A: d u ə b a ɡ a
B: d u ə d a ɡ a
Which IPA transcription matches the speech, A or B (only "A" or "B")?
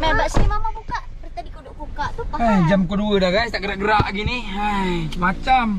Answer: B